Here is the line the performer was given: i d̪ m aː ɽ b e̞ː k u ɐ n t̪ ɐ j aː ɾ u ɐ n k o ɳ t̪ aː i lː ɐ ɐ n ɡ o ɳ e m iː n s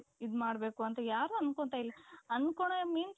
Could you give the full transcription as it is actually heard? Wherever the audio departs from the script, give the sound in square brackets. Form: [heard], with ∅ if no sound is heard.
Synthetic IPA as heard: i d̪ m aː ɽ b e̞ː k u ɐ n t̪ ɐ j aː ɾ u ɐ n k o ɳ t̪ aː i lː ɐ ɐ n [k] o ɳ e m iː n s